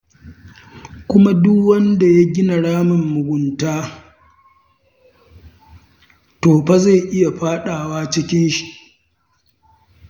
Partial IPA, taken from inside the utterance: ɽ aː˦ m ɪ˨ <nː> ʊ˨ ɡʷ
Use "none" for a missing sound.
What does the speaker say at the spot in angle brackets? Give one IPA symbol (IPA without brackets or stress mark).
mː